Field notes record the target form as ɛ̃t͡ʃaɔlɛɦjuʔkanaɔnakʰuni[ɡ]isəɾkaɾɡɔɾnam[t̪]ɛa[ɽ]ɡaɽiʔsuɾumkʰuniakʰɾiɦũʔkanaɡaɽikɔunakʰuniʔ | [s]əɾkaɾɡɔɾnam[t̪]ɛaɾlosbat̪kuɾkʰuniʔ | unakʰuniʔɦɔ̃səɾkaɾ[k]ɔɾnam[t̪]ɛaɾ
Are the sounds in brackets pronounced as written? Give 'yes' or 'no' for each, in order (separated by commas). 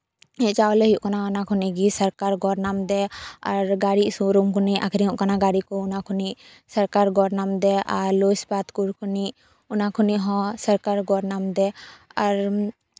yes, no, no, yes, no, no, no